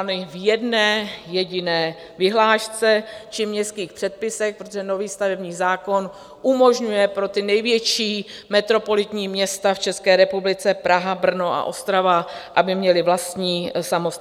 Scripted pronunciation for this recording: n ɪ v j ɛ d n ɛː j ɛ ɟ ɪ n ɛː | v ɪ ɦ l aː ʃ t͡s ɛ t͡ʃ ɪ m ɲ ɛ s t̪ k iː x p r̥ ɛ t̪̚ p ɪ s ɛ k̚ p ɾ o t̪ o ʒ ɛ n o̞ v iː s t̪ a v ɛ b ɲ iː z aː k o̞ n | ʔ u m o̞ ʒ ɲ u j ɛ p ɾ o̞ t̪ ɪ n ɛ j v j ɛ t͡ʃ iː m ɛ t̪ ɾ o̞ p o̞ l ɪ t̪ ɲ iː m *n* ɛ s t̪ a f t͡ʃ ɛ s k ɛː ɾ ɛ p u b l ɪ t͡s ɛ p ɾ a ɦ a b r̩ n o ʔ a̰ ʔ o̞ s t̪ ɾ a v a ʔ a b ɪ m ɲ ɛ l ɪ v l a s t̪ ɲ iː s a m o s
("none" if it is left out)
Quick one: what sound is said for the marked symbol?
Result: ɲ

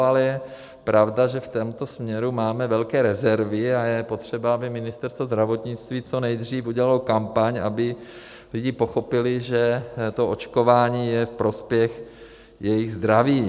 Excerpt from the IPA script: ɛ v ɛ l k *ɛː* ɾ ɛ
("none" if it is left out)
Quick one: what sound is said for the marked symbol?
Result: ɛː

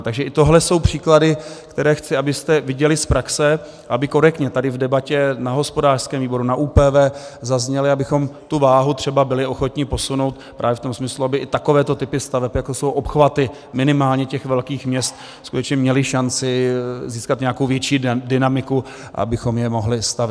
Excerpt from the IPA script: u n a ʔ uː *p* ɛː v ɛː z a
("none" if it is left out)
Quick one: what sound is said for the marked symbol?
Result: p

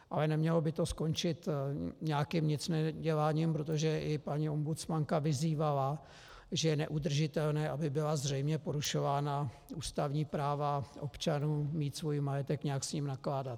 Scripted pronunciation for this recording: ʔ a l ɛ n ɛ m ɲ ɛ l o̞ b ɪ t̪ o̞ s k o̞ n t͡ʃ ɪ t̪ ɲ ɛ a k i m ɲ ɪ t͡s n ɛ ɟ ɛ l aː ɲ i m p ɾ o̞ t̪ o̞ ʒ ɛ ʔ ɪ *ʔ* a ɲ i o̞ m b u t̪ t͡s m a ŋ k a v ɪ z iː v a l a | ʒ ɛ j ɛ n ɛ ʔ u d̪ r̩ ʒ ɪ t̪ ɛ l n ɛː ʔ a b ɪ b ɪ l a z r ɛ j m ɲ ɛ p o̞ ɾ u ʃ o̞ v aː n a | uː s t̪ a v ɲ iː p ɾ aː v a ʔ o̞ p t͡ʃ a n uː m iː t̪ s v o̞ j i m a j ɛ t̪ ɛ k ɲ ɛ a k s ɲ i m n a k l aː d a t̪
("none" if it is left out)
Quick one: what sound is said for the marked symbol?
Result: p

